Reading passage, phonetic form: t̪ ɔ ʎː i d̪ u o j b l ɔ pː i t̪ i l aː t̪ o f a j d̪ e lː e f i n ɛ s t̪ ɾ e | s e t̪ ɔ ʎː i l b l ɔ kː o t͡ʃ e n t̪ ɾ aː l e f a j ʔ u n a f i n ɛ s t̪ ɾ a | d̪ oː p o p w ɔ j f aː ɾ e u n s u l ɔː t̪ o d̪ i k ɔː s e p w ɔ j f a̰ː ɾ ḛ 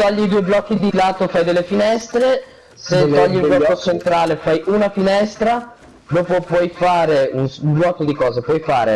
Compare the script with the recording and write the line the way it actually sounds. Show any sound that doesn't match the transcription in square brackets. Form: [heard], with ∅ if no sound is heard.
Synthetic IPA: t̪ ɔ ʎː i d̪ u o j b l ɔ [kː] i [d̪] i l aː t̪ o f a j d̪ e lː e f i n ɛ s t̪ ɾ e | s e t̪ ɔ ʎː i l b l ɔ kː o t͡ʃ e n t̪ ɾ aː l e f a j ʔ u n a f i n ɛ s t̪ ɾ a | d̪ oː p o p w ɔ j f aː ɾ e u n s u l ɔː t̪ o d̪ i k ɔː [z] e p w ɔ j f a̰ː ɾ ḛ